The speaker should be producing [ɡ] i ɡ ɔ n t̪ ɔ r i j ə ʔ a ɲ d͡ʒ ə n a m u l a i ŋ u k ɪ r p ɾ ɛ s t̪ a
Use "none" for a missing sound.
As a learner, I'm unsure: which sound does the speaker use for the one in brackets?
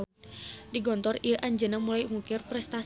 d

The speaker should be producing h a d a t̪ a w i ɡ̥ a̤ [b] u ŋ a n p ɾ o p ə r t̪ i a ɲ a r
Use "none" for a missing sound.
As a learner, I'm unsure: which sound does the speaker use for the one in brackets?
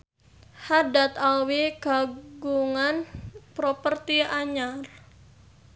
ɡ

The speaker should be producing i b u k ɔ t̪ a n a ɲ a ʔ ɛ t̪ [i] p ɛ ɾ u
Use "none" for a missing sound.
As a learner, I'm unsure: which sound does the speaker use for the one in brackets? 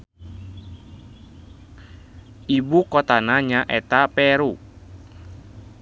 a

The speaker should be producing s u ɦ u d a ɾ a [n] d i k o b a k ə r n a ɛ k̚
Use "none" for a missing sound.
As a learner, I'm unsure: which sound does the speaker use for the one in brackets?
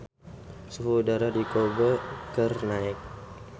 none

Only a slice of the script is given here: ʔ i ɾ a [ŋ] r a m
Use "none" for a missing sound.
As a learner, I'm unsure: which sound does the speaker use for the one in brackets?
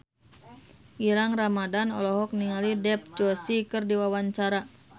ŋ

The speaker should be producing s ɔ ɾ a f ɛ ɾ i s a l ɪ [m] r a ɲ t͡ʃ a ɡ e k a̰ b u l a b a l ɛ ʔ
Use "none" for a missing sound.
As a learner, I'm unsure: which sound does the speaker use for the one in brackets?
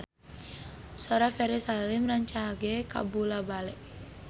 m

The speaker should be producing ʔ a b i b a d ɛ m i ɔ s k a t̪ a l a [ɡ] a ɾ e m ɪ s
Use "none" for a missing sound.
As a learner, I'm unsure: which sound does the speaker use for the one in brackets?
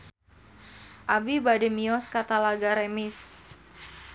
ɡ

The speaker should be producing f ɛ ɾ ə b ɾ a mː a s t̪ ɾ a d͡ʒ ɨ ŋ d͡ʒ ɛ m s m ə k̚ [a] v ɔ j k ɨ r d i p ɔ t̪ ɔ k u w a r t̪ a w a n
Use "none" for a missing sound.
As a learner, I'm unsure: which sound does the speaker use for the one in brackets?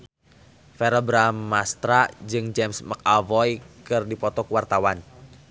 a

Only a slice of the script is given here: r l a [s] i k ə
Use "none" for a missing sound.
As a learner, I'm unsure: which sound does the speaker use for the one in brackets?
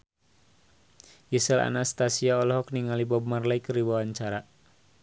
none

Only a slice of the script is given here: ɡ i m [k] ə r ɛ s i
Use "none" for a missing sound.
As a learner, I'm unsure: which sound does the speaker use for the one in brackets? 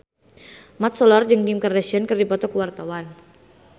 k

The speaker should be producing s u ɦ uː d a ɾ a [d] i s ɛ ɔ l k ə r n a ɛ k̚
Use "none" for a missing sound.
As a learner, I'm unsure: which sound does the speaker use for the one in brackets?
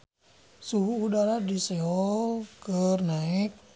d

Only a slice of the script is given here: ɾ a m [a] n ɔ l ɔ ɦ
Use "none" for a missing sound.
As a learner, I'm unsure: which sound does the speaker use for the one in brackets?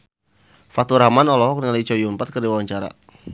a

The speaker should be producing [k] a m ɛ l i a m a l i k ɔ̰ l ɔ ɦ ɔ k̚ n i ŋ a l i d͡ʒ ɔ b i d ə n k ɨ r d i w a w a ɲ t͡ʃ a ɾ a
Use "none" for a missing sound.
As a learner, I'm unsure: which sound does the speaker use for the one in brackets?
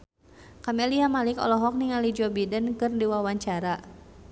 k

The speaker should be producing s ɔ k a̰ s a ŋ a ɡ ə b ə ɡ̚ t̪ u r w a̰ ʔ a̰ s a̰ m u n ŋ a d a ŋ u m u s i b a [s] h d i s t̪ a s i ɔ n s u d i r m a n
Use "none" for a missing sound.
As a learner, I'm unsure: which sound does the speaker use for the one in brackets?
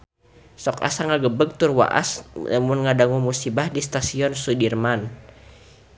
none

